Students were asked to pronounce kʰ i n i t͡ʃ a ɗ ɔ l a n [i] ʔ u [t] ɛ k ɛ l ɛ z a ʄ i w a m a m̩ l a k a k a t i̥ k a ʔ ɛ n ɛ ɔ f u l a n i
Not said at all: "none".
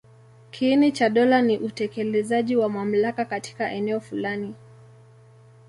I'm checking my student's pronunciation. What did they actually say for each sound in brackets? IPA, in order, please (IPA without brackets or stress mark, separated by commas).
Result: i, t